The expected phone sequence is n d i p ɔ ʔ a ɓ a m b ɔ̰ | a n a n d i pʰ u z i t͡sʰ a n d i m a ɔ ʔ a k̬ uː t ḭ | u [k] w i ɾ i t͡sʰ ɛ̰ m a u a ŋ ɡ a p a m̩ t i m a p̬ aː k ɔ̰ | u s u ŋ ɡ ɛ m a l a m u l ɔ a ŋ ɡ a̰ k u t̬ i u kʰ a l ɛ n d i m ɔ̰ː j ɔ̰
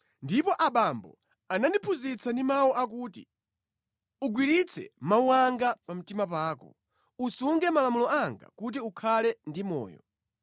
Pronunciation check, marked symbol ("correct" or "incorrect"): incorrect